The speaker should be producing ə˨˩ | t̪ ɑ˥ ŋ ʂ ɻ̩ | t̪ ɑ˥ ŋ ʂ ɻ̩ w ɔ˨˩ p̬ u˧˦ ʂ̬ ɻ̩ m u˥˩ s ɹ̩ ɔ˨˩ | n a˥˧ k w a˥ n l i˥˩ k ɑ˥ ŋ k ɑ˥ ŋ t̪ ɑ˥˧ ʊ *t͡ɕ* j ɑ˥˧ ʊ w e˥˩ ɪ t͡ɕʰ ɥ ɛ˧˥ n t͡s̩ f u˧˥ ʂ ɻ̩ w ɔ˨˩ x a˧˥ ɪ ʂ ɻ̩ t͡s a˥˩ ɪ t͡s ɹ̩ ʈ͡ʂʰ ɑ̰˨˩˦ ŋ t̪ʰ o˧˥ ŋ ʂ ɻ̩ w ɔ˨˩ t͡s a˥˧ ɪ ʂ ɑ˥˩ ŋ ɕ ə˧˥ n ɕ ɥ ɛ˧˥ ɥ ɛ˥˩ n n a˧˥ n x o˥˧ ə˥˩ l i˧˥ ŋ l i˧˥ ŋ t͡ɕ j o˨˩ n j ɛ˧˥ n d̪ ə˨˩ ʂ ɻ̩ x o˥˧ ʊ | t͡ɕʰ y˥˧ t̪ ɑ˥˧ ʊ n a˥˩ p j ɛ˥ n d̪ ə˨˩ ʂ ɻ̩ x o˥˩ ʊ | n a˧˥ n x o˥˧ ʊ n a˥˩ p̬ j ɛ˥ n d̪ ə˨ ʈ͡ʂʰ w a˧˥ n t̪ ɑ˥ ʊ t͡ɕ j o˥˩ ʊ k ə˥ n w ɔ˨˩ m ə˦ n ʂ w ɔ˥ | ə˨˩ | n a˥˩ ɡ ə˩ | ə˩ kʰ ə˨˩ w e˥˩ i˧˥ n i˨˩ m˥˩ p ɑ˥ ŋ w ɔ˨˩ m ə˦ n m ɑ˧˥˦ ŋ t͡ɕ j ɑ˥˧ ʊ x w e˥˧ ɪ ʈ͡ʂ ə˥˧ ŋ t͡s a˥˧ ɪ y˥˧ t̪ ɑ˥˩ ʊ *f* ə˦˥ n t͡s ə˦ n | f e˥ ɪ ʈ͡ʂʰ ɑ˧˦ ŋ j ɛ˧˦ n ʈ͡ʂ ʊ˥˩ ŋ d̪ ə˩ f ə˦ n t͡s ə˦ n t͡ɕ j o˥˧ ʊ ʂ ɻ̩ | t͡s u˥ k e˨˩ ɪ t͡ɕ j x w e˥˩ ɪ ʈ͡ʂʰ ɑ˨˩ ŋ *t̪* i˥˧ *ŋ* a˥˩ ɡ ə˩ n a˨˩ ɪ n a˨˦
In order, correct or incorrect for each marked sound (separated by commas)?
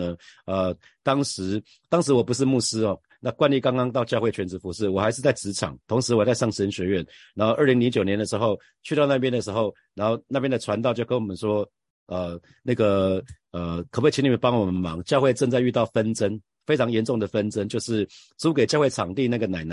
correct, correct, correct, incorrect